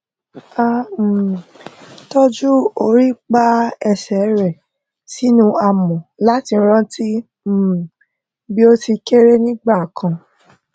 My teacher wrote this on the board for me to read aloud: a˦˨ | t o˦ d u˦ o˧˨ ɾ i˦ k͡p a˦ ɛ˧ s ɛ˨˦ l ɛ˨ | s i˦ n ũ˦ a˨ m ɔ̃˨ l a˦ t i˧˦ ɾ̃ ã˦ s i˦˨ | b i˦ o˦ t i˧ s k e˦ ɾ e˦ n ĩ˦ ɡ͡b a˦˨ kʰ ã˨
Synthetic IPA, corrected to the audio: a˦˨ | t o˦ d͡ʒ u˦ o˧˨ ɾ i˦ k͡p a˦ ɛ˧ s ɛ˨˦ ɾ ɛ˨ | s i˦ n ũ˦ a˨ m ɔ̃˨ l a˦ t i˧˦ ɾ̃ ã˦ t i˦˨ | b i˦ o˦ t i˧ k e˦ ɾ e˦ n ĩ˦ ɡ͡b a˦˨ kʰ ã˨